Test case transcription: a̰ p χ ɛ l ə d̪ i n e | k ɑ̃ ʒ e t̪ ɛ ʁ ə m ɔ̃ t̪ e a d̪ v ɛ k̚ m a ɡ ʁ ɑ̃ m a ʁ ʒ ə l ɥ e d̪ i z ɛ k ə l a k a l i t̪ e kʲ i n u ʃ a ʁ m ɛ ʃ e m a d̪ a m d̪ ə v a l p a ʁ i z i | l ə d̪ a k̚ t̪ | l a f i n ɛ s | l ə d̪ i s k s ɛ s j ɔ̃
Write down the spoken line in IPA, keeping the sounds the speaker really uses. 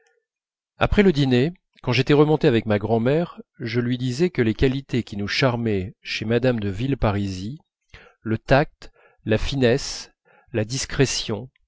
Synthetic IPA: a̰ p χ ɛ l ə d̪ i n e | k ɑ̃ ʒ e t̪ ɛ ʁ ə m ɔ̃ t̪ e a v ɛ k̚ m a ɡ ʁ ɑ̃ m ɛ ʁ ʒ ə l ɥ i d̪ i z ɛ k ə l e k a l i t̪ e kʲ i n u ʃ a ʁ m ɛ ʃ e m a d̪ a m d̪ ə v i l p a ʁ i z i | l ə t̪ a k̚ t̪ | l a f i n ɛ s | l a d̪ i s k χ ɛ s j ɔ̃